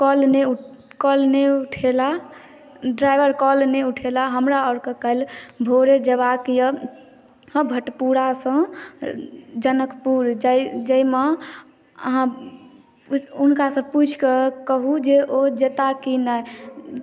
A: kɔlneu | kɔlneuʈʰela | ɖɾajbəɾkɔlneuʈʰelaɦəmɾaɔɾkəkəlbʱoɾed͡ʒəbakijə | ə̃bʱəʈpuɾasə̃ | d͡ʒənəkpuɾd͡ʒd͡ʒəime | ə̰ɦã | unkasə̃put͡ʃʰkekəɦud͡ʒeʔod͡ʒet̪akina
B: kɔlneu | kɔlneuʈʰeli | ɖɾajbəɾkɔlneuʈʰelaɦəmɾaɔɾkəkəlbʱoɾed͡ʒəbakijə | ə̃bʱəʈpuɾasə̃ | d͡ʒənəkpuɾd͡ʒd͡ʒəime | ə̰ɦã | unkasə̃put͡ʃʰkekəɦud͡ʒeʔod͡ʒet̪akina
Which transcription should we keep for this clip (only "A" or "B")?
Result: A